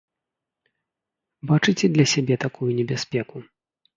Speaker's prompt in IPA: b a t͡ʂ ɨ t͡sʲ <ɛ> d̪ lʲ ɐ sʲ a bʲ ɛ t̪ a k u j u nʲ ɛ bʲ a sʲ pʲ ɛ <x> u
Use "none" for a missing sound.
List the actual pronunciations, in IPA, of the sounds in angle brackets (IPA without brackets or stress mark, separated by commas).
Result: ɛ, k